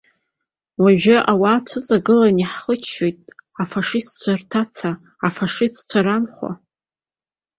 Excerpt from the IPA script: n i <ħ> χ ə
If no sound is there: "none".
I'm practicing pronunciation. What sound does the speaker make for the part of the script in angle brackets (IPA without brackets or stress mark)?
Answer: ħ